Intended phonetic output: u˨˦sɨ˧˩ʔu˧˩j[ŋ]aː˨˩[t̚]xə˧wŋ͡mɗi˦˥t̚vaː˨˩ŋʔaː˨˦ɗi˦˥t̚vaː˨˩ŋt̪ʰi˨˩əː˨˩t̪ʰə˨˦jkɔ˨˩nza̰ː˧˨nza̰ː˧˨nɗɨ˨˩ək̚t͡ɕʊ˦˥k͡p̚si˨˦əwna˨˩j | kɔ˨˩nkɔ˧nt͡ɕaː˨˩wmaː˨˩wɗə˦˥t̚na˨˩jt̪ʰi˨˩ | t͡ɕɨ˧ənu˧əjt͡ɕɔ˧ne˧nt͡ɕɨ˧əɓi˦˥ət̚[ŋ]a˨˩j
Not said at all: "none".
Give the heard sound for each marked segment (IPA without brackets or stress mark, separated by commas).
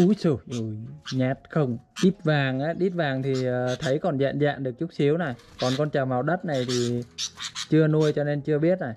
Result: ɲ, t̚, n